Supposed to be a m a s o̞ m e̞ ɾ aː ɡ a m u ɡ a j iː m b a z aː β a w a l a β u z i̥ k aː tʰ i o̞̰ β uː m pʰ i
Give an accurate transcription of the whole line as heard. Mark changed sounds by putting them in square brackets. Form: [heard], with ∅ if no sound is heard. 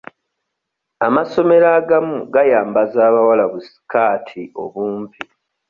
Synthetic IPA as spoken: a m a s o̞ m e̞ ɾ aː ɡ a m u ɡ a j [aː] m b a z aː β a w a l a β u [s] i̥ k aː tʰ i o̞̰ β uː m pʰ i